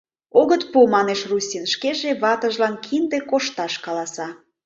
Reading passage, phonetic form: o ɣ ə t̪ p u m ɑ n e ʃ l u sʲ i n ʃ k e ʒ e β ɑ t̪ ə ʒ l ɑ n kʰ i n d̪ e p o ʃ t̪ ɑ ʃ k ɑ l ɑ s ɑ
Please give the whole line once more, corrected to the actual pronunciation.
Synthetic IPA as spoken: o ɣ ə t̪ p u m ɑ n e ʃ r u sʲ i n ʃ k e ʒ e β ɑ t̪ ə ʒ l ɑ n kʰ i n d̪ e k o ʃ t̪ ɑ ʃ k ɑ l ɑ s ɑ